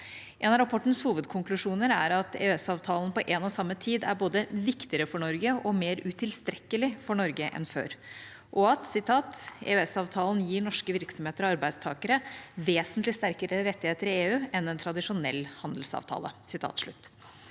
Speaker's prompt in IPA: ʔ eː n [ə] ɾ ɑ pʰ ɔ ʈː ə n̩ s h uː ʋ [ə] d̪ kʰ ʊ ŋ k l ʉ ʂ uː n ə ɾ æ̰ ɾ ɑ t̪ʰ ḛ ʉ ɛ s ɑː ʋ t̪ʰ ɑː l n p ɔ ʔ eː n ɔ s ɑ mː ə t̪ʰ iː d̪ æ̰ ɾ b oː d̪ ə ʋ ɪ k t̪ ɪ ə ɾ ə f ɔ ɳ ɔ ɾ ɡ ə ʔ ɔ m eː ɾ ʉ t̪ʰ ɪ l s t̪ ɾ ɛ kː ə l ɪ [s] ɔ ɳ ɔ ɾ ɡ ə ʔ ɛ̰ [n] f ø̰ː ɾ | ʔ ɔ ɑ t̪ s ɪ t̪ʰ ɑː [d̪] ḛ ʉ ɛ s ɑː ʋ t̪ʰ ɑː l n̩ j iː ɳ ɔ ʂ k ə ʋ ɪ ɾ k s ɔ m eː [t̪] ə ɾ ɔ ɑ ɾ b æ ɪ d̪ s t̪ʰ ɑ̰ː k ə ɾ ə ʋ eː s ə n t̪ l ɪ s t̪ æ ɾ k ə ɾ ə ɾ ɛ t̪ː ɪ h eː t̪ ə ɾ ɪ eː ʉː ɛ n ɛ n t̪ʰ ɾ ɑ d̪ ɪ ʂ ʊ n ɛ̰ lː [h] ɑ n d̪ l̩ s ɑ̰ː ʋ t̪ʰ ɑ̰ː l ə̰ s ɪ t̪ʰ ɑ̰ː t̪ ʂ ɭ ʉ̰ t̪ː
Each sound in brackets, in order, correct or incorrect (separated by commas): incorrect, correct, incorrect, correct, incorrect, correct, correct